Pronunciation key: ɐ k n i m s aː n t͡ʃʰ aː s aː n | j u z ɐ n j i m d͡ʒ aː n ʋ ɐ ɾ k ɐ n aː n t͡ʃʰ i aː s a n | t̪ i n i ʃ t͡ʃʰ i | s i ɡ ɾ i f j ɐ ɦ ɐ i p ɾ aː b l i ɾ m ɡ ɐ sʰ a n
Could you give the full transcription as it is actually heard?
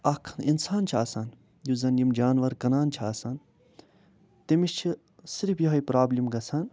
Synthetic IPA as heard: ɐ kʰ n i n s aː n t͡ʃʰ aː s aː n | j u z ɐ n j i m d͡ʒ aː n ʋ ɐ ɾ k ɐ n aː n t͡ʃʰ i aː s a n | t̪ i m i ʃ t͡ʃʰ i | s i ɾ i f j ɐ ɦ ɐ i p ɾ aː b l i m ɡ ɐ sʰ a n

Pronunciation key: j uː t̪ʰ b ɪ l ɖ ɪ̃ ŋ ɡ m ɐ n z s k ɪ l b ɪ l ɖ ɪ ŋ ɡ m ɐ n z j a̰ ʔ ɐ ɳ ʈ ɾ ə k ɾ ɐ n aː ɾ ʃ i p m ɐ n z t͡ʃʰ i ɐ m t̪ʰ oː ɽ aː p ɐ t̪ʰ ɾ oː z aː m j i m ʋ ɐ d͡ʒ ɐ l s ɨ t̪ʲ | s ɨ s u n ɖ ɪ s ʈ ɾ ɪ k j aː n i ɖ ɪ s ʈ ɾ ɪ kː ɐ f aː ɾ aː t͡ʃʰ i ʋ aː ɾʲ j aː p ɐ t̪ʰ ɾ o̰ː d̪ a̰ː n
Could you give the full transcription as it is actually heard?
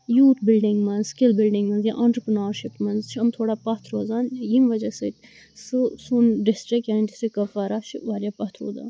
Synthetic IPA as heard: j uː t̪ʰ b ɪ l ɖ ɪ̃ ŋ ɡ m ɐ n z s k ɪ l b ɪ l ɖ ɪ ŋ ɡ m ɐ n z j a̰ ʔ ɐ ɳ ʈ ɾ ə p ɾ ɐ n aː ɾ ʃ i p m ɐ n z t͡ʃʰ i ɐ m t̪ʰ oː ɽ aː p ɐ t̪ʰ ɾ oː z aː n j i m ʋ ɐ d͡ʒ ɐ s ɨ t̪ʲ | s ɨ s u n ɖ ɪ s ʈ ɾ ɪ k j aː n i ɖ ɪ s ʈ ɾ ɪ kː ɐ f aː ɾ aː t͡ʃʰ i ʋ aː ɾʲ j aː p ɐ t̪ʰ ɾ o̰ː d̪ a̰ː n

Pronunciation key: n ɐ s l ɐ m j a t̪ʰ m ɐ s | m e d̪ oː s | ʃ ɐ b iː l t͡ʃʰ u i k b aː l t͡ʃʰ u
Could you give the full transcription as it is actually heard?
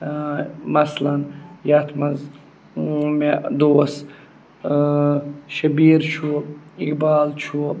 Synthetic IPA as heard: m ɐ s l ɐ n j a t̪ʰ m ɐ z | m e d̪ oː s | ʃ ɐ b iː ɾ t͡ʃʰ u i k b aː l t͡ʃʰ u

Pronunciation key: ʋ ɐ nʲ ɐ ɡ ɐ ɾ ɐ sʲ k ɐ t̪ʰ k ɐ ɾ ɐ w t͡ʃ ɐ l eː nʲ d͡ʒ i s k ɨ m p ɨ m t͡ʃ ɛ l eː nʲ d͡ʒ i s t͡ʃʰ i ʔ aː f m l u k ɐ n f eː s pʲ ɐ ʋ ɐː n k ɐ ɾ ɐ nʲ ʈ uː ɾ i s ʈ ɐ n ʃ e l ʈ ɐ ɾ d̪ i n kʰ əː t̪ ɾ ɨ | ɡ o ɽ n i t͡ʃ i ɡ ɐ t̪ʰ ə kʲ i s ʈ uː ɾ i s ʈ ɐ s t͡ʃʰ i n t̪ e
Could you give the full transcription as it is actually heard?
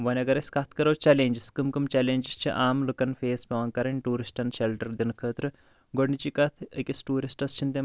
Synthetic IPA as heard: ʋ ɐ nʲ ɐ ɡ ɐ ɾ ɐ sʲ k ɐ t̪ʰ k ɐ ɾ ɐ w t͡ʃ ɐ l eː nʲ d͡ʒ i s k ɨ m k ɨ m t͡ʃ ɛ l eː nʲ d͡ʒ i s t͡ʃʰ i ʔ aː m l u k ɐ n f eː s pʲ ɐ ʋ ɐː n k ɐ ɾ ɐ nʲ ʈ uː ɾ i s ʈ ɐ n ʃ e l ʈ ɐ ɾ d̪ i n kʰ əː t̪ ɾ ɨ | ɡ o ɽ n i t͡ʃ i k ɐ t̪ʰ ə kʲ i s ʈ uː ɾ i s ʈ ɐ s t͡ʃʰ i n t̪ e

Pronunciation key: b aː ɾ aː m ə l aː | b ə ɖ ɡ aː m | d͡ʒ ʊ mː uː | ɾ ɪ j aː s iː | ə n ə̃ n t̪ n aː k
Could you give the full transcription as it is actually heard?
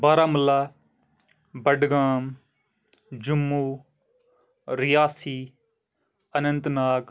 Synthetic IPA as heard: b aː ɾ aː m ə l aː | b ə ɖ ɡ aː m | d͡ʒ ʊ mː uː | ɾ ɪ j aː s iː | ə n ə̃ n t̪ n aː k

